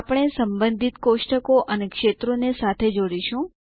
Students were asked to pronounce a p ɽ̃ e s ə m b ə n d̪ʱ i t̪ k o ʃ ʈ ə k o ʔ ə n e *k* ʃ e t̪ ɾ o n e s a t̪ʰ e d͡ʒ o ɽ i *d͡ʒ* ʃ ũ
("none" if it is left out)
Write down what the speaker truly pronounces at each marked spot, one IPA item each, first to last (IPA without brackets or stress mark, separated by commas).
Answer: k, none